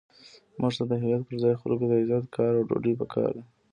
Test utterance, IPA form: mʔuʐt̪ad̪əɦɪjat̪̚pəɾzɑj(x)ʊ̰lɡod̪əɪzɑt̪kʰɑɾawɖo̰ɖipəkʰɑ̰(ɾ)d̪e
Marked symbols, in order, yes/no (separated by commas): yes, yes